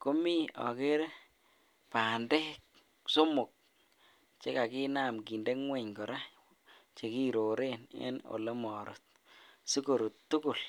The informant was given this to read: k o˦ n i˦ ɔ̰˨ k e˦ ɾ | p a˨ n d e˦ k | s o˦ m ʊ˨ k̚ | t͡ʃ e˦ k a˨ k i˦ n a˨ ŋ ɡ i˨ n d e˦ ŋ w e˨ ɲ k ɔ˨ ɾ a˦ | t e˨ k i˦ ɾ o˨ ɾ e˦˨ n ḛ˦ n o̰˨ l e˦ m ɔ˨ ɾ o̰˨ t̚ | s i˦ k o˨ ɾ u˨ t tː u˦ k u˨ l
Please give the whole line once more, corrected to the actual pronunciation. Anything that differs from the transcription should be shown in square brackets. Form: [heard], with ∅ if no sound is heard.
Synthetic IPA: k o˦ [m] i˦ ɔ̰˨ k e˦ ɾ | p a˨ n d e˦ k | s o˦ m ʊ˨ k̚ | t͡ʃ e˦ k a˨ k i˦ n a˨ [m] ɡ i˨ n d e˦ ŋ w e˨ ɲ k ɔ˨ ɾ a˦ | [t͡ʃ] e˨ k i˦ ɾ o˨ ɾ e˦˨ n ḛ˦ n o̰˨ l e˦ m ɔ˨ ɾ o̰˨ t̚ | s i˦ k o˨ ɾ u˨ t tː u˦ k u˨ l